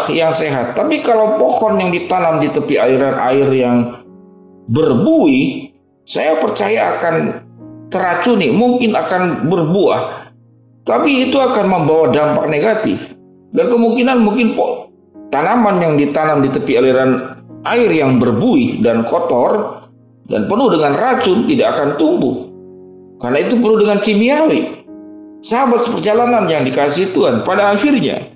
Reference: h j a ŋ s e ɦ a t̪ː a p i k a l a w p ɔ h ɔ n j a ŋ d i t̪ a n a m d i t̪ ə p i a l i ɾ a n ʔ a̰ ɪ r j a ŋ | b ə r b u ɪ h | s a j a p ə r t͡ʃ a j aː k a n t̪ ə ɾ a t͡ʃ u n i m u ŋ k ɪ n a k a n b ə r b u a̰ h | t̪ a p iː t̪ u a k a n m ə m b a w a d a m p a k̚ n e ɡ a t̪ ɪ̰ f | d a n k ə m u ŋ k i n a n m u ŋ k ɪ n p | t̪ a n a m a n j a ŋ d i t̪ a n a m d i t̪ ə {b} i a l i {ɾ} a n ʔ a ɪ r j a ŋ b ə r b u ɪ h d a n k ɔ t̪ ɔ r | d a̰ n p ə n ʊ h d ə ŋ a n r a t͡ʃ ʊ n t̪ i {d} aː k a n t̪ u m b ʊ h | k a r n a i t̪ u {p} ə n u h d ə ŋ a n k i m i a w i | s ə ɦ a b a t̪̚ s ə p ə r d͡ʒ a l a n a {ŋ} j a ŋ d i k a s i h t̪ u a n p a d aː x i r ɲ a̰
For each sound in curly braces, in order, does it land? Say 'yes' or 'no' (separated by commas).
no, yes, yes, yes, no